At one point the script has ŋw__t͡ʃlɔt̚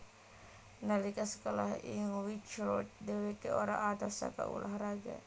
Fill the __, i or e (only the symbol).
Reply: i